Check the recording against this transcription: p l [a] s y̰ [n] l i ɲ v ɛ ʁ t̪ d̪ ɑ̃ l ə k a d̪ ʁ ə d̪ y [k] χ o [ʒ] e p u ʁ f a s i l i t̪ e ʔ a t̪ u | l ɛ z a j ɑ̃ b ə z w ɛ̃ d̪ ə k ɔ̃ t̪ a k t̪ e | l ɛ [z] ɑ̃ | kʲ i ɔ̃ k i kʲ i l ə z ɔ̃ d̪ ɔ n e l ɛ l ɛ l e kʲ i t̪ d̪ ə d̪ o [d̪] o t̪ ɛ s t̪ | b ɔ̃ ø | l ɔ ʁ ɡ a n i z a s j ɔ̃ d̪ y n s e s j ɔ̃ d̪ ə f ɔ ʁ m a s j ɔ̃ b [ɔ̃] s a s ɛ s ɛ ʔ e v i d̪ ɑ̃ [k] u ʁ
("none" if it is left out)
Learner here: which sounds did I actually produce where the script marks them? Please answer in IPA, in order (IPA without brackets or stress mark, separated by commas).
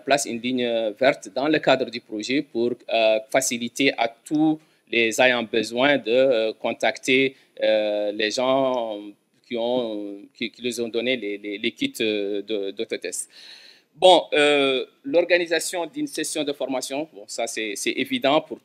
a, n, p, ʒ, ʒ, t̪, ɔ̃, p